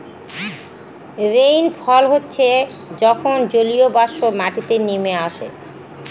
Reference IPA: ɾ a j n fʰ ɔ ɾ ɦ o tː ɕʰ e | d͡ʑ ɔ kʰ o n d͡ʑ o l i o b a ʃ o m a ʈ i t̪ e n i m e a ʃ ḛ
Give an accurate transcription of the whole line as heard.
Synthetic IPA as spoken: ɾ e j n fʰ ɔ l ɦ o tː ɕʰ e | d͡ʑ ɔ kʰ o n d͡ʑ o l i o b a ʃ o m a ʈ i t̪ e n i m e a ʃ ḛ